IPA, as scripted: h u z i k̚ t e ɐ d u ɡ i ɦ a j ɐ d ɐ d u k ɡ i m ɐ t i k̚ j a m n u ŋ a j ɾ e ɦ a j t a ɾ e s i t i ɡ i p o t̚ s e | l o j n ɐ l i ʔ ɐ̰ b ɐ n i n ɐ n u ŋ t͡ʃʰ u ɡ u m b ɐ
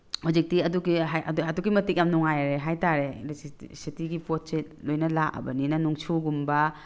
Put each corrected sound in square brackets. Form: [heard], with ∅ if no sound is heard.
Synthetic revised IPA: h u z i k̚ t [i] ɐ d u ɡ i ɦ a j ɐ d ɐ d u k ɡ i m ɐ t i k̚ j a m n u ŋ a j ɾ e ɦ a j t a ɾ e s i t i ɡ i p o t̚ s e | l o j n ɐ l [a] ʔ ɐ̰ b ɐ n i n ɐ n u ŋ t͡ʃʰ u ɡ u m b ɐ

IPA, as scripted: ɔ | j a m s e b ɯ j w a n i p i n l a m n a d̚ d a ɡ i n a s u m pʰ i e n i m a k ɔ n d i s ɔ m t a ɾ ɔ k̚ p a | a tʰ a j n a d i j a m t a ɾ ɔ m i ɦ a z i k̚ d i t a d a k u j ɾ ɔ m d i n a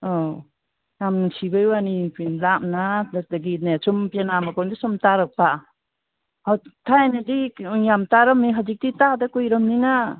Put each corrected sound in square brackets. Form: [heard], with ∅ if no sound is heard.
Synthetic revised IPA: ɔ | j a m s [i] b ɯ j w a n i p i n l a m n a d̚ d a ɡ i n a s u m [p] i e n [a] m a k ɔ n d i s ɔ m t a ɾ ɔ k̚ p a | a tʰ a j n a d i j a m t a ɾ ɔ m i ɦ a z i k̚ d i t a d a k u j ɾ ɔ m [n] i n a

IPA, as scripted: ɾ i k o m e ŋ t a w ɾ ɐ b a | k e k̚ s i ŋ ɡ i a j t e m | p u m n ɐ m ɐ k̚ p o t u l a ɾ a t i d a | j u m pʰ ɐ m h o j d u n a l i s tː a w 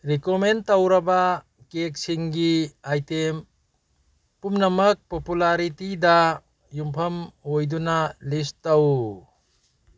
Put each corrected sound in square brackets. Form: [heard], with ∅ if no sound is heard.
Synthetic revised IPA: ɾ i k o m e [n] t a w ɾ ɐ b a | k e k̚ s i ŋ ɡ i a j t e m | p u m n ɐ m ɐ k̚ p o [p] u l a ɾ [i] t i d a | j u m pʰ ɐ m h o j d u n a l i s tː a w

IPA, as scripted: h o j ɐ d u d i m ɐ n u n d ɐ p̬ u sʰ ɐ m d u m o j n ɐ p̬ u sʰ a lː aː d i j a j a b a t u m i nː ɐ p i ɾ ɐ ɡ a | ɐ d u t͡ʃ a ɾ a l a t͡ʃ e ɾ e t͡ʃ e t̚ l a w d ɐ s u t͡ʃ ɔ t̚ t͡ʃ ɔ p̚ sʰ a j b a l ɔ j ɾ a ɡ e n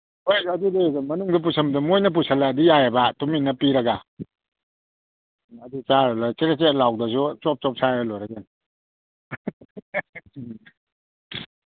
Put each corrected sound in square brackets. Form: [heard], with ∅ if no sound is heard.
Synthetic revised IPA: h o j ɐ d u d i m ɐ n u [ŋ] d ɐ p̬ u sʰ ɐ m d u m o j n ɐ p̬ u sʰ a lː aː d i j a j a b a t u m i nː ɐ p i ɾ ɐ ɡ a | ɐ d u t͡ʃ a ɾ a l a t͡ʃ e ɾ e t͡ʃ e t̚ l a w d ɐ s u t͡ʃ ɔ [p̚] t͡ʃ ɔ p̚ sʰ a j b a l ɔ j ɾ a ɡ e n

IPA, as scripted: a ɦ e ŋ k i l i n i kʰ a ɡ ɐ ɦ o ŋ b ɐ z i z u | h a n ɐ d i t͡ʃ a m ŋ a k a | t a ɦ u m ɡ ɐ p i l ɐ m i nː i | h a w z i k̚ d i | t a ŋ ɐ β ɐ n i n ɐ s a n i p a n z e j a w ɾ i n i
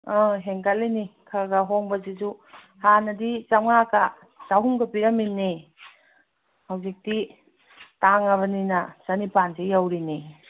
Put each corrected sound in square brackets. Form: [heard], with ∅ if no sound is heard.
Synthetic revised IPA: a ɦ e ŋ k [a] l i n i kʰ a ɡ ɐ ɦ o ŋ b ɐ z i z u | h a n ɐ d i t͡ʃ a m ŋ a k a | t a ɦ u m ɡ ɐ p i [ɾ] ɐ m i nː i | h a w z i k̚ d i | t a ŋ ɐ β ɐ n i n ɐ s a n i p a n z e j a w ɾ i n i

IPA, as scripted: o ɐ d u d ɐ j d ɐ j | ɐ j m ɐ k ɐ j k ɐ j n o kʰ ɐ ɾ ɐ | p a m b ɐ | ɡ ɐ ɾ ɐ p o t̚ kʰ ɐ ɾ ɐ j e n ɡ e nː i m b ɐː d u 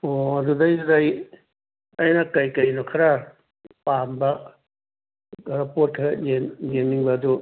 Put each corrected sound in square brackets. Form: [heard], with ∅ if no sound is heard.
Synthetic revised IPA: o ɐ d u d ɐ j d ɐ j | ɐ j [n] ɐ k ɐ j k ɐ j n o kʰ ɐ ɾ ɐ | p a m b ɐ | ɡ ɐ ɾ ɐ p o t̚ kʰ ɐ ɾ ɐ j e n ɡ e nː i [ŋ] b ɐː d u

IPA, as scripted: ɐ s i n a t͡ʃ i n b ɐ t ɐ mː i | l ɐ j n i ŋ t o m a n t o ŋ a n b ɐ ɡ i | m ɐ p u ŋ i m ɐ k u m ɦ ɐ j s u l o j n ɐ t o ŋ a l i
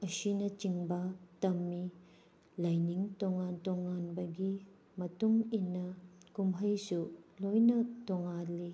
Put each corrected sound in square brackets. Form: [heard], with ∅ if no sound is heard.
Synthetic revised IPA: ɐ s i n [ɐ] t͡ʃ i [ŋ] b ɐ t ɐ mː i | l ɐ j n i ŋ t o [ŋ] a n t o ŋ a n b ɐ ɡ i | m ɐ [t] u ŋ i [n] ɐ k u m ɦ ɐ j s u l o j n ɐ t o ŋ a l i

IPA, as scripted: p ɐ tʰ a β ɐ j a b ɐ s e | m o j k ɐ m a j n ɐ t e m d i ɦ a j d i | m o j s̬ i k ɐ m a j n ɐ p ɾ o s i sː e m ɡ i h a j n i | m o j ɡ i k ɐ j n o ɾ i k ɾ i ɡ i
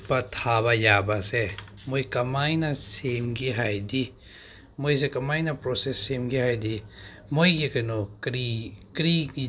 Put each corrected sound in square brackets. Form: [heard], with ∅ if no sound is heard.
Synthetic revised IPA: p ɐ tʰ a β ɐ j a b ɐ s e | m o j k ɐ m a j n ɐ [s] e m [ɡ] i ɦ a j d i | m o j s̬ [e] k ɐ m a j n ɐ p ɾ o s [e] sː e m ɡ i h a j [d] i | m o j ɡ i k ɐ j n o ɾ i k ɾ i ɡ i

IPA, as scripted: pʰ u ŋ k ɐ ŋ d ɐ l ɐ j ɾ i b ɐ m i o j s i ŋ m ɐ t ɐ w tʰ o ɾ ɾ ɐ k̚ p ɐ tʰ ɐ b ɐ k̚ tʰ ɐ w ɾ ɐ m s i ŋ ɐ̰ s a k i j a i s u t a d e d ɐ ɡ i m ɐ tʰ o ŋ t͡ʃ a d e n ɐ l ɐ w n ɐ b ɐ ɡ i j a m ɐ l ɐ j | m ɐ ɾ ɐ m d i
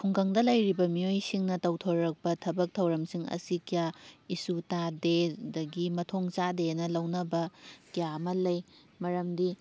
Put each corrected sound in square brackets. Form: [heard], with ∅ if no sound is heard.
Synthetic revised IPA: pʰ u ŋ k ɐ ŋ d ɐ l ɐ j ɾ i b ɐ m i o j s i ŋ [n] ɐ t ɐ w tʰ o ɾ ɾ ɐ k̚ p ɐ tʰ ɐ b ɐ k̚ tʰ ɐ w ɾ ɐ m s i ŋ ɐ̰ s [i] k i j a i s u t a d e d ɐ ɡ i m ɐ tʰ o ŋ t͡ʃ a d e n ɐ l ɐ w n ɐ b ɐ [k] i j a m ɐ l ɐ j | m ɐ ɾ ɐ m d i

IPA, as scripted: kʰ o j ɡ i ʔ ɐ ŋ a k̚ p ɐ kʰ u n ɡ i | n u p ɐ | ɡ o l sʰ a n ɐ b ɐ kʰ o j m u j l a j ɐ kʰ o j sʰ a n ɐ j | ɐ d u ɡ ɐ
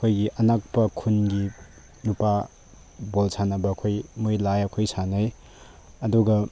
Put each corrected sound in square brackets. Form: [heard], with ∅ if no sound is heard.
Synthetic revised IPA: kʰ o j ɡ i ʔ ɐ [n] a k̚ p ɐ kʰ u n ɡ i | n u p [a] | [b] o l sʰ a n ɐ b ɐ kʰ o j m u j l a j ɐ kʰ o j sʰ a n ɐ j | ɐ d u ɡ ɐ

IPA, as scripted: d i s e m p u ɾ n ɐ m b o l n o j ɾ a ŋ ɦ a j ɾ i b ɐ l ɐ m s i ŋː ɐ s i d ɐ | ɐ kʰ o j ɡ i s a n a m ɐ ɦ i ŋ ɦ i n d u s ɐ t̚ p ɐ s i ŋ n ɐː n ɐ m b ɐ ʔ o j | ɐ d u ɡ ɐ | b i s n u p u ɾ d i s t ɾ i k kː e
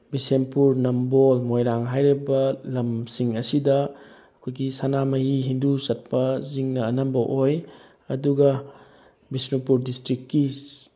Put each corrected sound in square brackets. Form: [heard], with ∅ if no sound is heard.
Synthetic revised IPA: [b] i s e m p u ɾ n ɐ m b o l [m] o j ɾ a ŋ ɦ a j ɾ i b ɐ l ɐ m s i [ŋ] ɐ s i d ɐ | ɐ kʰ o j ɡ i s a n a m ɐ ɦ i [∅] ɦ i n d u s ɐ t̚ p ɐ [z] i ŋ n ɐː n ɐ m b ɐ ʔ o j | ɐ d u ɡ ɐ | b i s n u p u ɾ d i s t ɾ i k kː [i]

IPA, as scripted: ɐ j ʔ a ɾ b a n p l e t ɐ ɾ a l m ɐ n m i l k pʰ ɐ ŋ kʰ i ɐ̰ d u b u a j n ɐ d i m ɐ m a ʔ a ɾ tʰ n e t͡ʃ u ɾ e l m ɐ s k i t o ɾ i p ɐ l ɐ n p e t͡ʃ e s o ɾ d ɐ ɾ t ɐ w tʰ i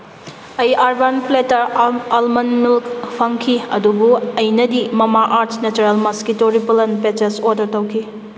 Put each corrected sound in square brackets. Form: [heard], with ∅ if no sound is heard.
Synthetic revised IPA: ɐ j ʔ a ɾ b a n p l e t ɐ ɾ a l m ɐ n m i l k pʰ ɐ ŋ kʰ i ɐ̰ d u b u [ɐ] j n ɐ d i m ɐ m a ʔ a ɾ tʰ n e t͡ʃ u ɾ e l m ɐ s k i t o ɾ i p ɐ l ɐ n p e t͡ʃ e s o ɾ d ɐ ɾ t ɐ w [kʰ] i

